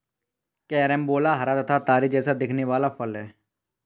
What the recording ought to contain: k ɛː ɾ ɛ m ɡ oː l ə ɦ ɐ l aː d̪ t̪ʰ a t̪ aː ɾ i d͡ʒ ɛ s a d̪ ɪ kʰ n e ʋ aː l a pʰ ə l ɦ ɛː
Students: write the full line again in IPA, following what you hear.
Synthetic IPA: k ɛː ɾ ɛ m b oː l a ɦ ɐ ɾ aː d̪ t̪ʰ a t̪ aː ɾ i d͡ʒ ɛː s a d̪ ɪ kʰ n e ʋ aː l a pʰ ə l ɦ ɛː